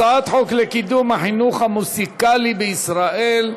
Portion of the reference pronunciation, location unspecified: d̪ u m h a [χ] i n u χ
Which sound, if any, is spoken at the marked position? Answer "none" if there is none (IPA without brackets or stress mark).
ħ